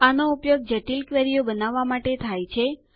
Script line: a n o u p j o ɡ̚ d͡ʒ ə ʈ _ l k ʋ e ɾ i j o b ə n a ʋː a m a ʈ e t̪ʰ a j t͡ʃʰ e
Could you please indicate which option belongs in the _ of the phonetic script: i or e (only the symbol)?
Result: i